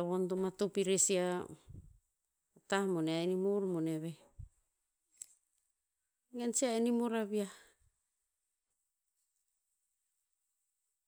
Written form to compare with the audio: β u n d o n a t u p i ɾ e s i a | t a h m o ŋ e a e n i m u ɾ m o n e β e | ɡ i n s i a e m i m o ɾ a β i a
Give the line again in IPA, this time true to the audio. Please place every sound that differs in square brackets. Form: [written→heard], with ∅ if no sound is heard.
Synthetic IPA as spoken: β [u→o] n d o [n→m] a t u p i ɾ e s i a | t a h m o [ŋ→n] e a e n i m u ɾ m o n e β e | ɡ [i→e] n s i a e [m→n] i m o ɾ a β i a